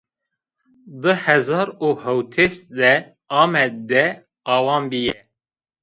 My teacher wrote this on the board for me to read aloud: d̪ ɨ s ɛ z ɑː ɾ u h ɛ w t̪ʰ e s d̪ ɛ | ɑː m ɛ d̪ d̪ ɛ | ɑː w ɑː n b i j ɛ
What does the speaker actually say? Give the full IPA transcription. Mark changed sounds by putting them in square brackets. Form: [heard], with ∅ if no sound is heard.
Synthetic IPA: d̪ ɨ [h] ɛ z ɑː ɾ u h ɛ w t̪ʰ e s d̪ ɛ | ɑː m ɛ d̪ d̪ ɛ | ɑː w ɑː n b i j ɛ